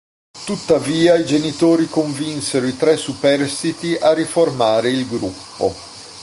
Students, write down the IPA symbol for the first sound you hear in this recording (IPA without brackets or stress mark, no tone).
t̪